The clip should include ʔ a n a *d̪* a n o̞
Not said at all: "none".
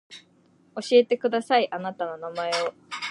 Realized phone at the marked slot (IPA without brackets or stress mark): t̪